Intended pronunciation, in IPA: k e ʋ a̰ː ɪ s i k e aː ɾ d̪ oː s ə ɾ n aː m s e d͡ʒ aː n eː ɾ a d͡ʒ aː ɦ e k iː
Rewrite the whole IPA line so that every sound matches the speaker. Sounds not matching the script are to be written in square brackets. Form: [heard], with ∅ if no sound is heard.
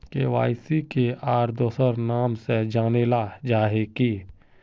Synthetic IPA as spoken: k e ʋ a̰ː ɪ s i k e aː ɾ d̪ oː s ə ɾ n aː m s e d͡ʒ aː n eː [l] a d͡ʒ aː ɦ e k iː